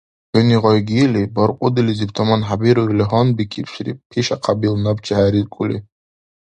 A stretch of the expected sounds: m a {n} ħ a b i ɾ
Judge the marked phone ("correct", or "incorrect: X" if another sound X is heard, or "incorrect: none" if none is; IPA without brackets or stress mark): correct